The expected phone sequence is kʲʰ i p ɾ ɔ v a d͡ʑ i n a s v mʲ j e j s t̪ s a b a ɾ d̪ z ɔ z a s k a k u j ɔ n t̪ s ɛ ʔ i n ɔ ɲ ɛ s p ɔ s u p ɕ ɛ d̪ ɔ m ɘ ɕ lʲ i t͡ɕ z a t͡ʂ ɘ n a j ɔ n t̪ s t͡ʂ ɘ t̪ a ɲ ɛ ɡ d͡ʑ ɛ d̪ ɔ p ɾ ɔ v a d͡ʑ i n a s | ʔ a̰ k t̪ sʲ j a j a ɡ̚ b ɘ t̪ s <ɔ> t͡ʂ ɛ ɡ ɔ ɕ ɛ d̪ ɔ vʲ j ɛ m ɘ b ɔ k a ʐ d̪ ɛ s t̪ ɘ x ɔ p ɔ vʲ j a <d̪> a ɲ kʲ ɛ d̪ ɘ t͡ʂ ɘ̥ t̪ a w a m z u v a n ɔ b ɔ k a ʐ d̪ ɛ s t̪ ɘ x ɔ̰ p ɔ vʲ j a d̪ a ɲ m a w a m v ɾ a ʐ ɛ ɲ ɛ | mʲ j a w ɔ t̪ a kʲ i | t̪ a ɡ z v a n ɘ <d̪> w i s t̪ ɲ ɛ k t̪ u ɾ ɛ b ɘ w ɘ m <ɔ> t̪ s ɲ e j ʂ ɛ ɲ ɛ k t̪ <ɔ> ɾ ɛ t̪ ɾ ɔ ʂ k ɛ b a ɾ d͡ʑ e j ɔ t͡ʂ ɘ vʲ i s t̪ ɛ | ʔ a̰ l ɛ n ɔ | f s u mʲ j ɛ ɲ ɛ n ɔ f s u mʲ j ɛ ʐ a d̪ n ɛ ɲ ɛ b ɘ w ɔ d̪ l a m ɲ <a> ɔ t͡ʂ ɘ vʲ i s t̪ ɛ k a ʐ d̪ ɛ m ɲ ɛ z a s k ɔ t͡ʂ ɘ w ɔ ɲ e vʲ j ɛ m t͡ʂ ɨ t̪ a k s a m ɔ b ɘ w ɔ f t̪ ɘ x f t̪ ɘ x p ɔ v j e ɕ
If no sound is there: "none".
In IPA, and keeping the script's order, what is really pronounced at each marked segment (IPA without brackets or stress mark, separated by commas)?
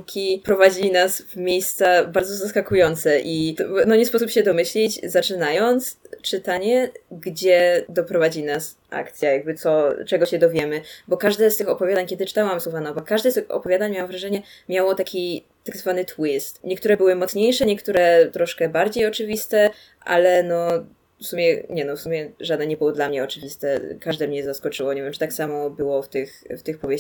ɔ, d̪, t̪, ɔ, u, ɛ